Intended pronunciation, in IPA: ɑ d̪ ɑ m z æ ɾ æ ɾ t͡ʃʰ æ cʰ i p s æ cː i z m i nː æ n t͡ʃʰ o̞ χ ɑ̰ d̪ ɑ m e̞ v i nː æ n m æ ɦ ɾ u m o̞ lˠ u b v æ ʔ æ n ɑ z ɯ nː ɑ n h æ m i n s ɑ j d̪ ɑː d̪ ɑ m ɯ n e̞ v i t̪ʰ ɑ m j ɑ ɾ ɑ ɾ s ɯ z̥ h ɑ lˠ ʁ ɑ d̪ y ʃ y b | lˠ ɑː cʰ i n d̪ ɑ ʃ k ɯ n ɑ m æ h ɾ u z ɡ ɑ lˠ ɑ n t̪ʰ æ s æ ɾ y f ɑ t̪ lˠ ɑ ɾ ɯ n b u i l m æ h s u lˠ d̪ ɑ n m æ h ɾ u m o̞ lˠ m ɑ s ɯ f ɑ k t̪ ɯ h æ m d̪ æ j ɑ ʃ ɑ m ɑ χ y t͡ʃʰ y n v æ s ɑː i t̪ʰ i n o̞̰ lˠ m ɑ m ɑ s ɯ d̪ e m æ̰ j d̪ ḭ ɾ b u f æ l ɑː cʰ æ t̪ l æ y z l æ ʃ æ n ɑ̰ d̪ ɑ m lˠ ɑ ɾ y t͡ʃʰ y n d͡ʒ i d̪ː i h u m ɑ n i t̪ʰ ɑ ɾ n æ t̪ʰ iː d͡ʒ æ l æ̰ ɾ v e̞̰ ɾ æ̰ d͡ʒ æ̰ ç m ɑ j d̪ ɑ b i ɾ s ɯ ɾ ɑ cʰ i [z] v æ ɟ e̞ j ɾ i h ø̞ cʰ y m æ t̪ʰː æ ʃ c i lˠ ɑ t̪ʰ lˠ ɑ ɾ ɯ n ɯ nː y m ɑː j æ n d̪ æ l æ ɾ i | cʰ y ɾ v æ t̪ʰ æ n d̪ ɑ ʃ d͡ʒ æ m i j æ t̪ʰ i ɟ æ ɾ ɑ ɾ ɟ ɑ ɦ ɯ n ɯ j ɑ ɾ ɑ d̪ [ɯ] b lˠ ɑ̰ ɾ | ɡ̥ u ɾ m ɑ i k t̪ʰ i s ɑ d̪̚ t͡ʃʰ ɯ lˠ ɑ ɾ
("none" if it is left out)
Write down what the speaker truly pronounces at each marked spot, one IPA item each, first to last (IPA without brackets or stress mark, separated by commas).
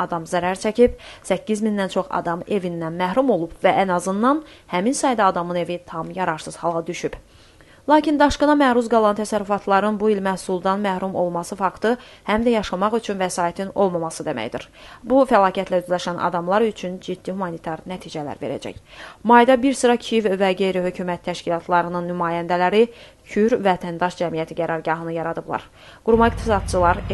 v, ɯ